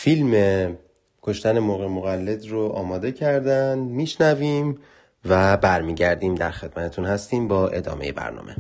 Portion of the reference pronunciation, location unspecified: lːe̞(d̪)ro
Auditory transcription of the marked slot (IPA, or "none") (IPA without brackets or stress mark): d̪